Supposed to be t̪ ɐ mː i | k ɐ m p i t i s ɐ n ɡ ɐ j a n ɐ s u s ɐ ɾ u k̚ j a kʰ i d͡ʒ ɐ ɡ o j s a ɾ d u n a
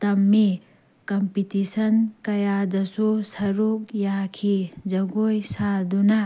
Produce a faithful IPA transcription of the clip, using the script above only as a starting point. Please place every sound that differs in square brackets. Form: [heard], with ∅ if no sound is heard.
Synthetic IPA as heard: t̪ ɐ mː i | k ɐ m p i t i s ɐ n [k] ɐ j a [d] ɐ s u s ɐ ɾ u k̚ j a kʰ i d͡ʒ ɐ ɡ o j s a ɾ d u n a